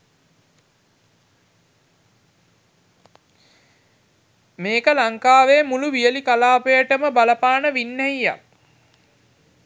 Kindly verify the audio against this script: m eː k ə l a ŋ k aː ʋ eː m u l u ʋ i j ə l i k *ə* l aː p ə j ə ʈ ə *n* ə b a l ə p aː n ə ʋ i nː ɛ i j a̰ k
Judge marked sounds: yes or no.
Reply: no, no

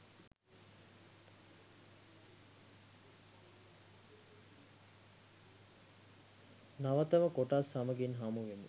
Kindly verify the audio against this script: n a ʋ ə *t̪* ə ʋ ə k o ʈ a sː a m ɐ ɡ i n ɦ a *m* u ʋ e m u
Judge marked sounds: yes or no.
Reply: yes, yes

